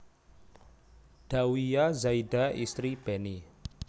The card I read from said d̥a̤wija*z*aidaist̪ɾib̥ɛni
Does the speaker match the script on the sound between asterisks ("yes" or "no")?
yes